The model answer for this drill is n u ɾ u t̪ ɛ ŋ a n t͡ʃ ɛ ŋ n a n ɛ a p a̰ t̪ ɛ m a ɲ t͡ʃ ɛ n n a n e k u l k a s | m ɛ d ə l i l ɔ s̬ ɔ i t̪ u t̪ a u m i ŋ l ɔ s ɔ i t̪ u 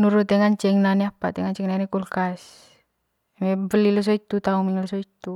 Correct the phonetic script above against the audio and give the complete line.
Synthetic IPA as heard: n u ɾ u t̪ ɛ ŋ a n t͡ʃ ɛ ŋ n a n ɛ a p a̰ t̪ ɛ ŋ a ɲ t͡ʃ ɛ ŋ n a n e k u l k a s | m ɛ b ə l i l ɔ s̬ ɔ i t̪ u t̪ a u m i ŋ l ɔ s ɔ i t̪ u